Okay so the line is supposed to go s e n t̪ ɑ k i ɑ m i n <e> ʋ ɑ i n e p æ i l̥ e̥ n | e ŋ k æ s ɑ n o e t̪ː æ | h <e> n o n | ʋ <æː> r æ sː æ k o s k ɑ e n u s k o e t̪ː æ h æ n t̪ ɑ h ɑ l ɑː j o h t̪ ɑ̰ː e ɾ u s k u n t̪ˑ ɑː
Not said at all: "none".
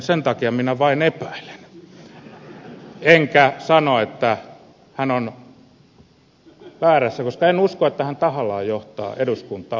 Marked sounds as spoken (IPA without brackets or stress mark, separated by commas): æ, æ, æː